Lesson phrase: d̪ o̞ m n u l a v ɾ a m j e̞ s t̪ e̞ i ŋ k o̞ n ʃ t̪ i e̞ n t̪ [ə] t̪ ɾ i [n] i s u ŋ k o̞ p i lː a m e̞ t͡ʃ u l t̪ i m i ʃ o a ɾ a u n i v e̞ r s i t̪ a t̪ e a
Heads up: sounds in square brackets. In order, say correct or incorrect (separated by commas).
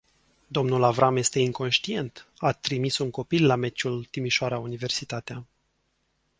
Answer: incorrect, incorrect